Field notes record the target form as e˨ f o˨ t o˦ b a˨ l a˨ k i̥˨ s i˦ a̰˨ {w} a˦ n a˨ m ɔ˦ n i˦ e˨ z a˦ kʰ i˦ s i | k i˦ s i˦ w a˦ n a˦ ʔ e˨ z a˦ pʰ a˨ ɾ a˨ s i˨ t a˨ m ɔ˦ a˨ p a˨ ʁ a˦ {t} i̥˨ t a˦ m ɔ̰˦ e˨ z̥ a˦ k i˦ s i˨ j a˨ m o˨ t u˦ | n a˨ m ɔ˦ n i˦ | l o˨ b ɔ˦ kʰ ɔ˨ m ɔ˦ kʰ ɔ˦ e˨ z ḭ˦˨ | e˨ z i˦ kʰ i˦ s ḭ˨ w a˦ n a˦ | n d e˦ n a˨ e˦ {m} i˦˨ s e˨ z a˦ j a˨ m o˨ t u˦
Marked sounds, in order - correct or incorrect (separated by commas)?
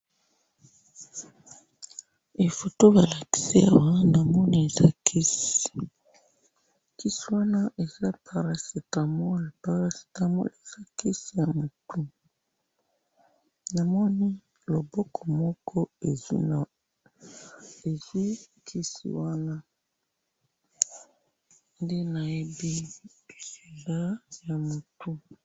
correct, incorrect, incorrect